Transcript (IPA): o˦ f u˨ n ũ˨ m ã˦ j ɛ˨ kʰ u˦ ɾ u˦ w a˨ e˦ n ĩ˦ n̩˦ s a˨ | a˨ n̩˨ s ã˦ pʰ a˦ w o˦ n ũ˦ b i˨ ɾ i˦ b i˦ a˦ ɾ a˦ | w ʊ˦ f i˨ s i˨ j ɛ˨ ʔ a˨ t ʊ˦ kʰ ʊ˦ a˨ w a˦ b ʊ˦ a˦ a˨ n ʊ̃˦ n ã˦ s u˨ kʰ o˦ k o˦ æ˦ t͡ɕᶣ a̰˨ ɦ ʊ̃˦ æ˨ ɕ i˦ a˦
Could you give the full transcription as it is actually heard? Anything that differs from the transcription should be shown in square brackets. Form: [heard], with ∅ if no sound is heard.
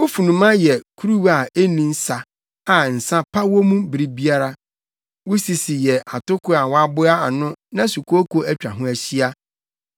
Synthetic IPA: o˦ f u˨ n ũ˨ m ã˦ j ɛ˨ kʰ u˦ ɾ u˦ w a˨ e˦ n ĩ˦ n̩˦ s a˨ | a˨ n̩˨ s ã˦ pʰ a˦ w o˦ [m] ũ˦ b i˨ ɾ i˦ b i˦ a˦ ɾ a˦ | w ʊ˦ [s] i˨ s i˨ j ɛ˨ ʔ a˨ t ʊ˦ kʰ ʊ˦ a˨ w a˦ b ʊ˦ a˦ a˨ n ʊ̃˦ n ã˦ s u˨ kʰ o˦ k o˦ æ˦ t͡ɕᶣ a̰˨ ɦ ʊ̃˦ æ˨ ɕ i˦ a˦